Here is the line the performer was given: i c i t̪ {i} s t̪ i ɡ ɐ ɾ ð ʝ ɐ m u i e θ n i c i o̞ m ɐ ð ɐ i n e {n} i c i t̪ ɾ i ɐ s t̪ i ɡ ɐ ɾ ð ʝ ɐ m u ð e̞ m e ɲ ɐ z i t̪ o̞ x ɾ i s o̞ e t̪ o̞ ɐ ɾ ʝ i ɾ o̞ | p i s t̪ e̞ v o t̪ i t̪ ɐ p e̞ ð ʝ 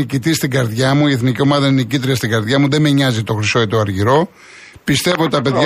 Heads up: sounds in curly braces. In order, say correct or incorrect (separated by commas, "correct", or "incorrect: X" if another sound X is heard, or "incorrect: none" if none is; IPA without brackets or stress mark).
correct, incorrect: none